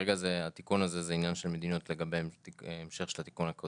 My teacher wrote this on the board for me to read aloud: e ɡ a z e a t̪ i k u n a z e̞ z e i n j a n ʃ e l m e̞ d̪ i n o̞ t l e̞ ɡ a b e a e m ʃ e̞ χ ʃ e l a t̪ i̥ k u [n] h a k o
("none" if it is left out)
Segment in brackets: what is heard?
n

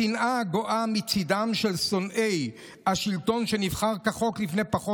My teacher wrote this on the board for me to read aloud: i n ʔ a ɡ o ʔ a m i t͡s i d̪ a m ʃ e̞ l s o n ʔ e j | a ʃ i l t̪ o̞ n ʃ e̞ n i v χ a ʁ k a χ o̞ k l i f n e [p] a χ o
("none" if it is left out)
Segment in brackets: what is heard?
p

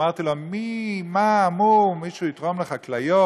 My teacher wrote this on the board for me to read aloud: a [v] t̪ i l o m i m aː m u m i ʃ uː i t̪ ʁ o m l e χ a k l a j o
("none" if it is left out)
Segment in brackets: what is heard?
ʁ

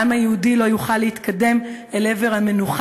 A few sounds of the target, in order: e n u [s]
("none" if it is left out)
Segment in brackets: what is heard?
χ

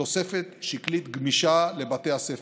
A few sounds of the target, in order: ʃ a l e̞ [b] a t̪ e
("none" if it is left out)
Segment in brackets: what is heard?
b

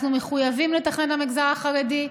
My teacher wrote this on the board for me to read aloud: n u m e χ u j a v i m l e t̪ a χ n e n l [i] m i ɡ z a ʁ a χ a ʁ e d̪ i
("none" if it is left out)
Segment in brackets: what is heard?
a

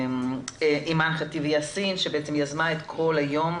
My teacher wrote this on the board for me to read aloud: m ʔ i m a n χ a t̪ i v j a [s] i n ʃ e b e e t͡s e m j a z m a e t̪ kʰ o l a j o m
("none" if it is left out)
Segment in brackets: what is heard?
s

